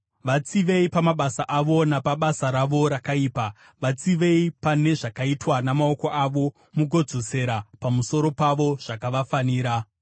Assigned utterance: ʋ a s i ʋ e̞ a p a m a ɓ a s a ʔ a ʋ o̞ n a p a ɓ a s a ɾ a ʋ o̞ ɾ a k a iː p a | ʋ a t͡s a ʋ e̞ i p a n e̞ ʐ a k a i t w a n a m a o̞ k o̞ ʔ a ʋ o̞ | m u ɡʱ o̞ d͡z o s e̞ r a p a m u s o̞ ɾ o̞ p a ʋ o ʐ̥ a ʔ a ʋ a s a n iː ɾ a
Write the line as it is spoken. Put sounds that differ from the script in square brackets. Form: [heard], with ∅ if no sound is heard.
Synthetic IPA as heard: ʋ a [t͡s] i ʋ e̞ [i] p a m a ɓ a s a ʔ a ʋ o̞ n a p a ɓ a s a ɾ a ʋ o̞ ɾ a k a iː p a | ʋ a t͡s [i] ʋ e̞ i p a n e̞ ʐ a k a i t w a n a m a o̞ k o̞ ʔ a ʋ o̞ | m u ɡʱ o̞ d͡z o s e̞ [ɾ] a p a m u s o̞ ɾ o̞ p a ʋ o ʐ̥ a [k] a ʋ a [f] a n iː ɾ a